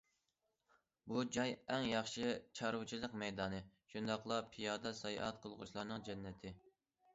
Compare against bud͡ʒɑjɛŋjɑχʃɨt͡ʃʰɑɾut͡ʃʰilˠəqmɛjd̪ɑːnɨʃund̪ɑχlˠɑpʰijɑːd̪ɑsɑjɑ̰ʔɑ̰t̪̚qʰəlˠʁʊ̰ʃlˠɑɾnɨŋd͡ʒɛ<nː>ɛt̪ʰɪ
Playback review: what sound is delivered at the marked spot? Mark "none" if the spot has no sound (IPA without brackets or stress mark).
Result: nː